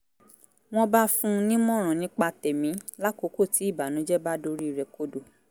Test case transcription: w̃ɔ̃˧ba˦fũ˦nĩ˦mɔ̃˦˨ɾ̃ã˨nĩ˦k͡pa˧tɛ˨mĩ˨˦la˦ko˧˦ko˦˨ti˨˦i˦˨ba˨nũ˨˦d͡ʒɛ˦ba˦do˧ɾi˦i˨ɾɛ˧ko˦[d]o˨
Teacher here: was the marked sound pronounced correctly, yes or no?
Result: yes